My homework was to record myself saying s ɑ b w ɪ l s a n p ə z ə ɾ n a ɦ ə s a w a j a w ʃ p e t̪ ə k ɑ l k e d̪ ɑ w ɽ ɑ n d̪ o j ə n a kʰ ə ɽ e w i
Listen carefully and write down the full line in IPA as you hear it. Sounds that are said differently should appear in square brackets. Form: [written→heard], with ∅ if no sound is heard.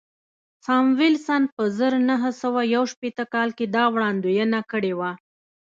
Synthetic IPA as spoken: s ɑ [b→m] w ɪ l s a n p ə z ə ɾ n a ɦ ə s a w a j a w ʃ p e t̪ ə k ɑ l k e d̪ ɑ w ɽ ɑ n d̪ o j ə n a [kʰ→k] ə ɽ e w [i→a]